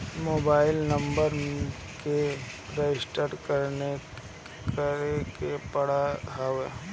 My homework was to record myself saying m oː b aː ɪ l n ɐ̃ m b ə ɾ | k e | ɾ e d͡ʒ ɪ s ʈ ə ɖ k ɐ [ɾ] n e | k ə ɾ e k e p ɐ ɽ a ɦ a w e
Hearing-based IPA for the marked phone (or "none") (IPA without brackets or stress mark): ɾ